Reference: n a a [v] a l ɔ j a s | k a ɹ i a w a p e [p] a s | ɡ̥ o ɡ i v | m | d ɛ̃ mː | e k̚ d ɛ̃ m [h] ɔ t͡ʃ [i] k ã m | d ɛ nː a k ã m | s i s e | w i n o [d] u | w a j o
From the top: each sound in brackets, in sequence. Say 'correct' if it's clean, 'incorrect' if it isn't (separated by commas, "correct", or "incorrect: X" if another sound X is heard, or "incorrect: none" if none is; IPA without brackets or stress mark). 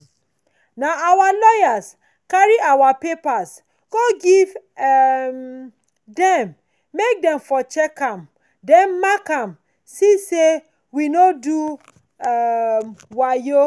incorrect: w, correct, incorrect: f, incorrect: ɛ, correct